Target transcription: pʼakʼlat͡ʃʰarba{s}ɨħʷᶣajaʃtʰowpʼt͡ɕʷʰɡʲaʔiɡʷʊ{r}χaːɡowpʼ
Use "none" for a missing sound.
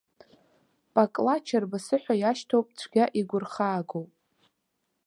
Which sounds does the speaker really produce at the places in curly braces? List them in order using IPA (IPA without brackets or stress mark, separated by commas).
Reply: s, r